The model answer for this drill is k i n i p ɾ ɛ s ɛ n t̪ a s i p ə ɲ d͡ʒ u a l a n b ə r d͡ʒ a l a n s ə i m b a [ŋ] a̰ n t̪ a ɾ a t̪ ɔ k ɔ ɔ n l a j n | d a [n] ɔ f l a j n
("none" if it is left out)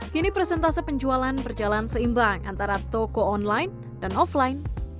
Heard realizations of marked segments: ŋ, n

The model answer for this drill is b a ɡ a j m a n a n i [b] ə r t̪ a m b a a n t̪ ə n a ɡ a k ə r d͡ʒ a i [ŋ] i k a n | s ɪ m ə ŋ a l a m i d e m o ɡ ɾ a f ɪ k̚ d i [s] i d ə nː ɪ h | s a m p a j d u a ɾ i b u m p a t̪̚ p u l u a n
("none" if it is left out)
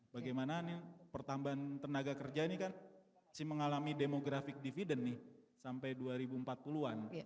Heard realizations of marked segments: p, n, f

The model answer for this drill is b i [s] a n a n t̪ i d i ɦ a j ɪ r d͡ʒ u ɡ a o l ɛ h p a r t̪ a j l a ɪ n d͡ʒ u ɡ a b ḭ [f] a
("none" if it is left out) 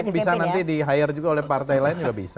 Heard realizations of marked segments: s, s

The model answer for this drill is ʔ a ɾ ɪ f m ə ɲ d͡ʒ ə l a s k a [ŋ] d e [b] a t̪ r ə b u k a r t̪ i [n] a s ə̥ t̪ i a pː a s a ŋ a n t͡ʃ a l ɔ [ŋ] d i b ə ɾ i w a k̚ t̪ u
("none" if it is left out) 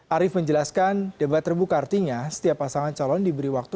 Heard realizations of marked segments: n, b, ɲ, n

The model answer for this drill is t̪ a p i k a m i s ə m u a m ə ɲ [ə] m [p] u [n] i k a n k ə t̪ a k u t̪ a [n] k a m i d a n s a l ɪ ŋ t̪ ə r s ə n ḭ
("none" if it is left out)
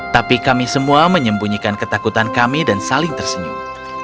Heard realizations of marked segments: ə, b, ɲ, n

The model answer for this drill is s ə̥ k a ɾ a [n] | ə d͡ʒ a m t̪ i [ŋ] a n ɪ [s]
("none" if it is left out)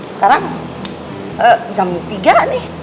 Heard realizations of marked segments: ŋ, ɡ, h

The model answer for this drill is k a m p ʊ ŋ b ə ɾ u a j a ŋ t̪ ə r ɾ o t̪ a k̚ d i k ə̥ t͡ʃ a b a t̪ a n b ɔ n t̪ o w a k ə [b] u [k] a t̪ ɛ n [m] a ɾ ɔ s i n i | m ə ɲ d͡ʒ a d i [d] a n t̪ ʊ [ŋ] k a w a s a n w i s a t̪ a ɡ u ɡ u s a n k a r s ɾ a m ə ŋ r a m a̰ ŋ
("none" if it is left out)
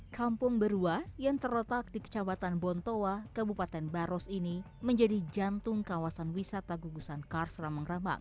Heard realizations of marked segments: b, p, b, d͡ʒ, ŋ

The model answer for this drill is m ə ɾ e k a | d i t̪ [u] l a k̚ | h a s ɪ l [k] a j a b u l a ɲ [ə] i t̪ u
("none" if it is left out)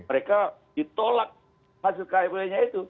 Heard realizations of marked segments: o, k, a

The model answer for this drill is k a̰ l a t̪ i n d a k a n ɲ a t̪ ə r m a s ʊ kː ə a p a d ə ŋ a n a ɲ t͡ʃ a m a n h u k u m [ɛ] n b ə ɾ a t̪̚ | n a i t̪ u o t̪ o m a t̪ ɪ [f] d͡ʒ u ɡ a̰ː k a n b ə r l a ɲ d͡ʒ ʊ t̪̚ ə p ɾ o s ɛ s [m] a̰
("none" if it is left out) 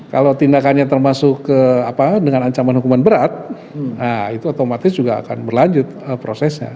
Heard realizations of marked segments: a, s, ɲ

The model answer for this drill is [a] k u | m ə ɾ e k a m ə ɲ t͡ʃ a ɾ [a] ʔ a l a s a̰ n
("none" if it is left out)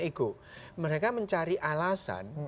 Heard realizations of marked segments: i, i

